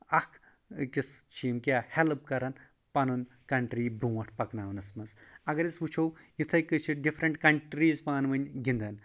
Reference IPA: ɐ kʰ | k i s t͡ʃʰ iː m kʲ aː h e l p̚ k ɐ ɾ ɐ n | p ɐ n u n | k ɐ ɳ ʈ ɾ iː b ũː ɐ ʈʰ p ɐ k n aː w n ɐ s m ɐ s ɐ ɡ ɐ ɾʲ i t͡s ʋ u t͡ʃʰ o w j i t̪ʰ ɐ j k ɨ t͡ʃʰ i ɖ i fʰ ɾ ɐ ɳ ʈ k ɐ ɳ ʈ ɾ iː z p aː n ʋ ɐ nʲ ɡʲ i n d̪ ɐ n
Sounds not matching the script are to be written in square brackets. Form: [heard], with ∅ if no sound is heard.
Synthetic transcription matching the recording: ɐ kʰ | k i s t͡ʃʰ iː m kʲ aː h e l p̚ k ɐ ɾ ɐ n | p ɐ n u n | k ɐ ɳ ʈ ɾ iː b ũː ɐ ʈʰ p ɐ k n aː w n ɐ s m ɐ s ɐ ɡ ɐ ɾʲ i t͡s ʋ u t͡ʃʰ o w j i t̪ʰ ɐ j k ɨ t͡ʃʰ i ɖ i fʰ ɾ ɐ ɳ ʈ k ɐ ɳ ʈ ɾ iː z p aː n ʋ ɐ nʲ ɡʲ i n d̪ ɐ n